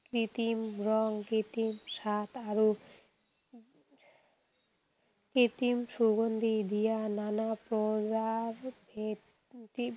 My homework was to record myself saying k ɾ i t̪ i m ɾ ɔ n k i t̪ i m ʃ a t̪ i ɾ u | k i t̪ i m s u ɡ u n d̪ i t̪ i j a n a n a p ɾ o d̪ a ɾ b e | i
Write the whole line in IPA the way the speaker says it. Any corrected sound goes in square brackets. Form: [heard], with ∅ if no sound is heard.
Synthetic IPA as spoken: k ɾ i t̪ i m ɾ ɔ [ŋ] k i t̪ i m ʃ a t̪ [a] ɾ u | k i t̪ i m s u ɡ [o] n d̪ i [d̪] i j a n a n a p ɾ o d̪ a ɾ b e | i